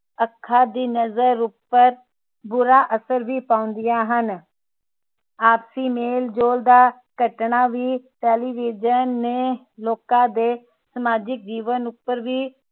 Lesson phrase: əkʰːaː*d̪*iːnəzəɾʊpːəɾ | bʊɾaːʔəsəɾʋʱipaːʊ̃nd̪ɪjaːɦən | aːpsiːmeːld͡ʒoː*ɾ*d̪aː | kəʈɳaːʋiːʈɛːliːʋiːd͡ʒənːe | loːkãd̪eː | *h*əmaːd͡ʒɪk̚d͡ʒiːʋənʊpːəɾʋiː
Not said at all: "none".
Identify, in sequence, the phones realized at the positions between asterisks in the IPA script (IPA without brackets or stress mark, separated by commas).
d̪, l, s